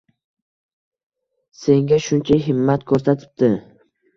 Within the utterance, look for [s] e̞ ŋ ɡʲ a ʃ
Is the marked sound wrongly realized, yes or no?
no